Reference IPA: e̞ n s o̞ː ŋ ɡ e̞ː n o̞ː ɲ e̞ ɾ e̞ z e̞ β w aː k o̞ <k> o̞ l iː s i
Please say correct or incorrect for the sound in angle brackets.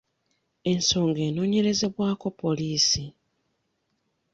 incorrect: p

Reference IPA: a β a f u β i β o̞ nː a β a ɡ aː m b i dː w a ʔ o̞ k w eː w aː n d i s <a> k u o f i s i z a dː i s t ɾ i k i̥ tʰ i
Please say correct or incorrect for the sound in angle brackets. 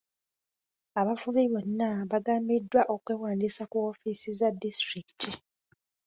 correct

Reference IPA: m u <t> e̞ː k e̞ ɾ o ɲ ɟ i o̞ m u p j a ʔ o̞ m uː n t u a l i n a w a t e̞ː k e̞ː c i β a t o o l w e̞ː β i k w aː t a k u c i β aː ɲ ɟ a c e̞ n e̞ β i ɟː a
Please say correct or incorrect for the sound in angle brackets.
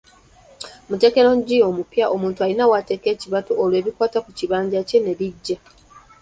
correct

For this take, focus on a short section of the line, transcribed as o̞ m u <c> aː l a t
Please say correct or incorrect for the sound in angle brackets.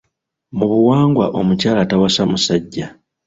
correct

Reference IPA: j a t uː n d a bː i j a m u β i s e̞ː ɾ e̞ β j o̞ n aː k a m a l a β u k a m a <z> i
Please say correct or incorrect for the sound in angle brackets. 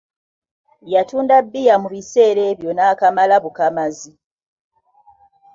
correct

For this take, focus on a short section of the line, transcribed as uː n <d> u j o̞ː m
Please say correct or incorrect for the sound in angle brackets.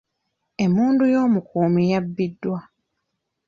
correct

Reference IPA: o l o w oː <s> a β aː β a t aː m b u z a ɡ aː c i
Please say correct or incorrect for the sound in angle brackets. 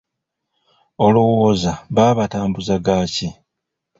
incorrect: z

